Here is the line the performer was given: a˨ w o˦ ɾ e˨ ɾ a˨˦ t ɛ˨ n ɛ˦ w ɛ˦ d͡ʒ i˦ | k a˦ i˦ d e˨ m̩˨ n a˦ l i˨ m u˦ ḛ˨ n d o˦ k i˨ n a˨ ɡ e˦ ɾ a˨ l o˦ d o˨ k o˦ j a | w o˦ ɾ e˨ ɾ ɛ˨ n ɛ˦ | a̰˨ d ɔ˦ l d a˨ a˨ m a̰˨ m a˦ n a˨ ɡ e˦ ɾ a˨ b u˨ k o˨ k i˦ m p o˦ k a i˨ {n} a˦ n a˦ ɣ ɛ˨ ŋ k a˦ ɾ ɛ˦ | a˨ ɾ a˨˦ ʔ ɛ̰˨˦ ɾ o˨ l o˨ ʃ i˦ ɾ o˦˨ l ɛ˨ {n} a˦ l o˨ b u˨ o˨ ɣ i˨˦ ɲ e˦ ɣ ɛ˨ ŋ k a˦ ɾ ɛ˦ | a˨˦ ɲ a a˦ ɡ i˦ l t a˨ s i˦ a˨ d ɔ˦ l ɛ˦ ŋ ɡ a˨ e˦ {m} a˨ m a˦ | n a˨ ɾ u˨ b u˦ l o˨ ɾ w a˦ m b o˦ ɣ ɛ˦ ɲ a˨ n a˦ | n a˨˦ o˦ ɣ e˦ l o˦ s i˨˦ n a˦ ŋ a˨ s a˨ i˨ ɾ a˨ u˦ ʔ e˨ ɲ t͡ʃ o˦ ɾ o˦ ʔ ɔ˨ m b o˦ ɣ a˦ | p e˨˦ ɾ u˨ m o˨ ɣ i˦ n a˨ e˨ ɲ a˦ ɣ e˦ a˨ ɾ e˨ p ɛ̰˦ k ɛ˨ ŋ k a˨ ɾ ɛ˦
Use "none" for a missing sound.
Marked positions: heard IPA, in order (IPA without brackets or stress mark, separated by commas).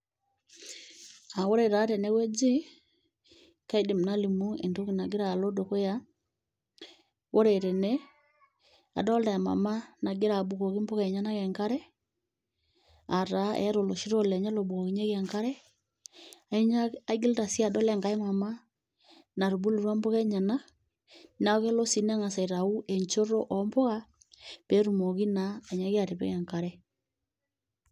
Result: ɲ, ɲ, m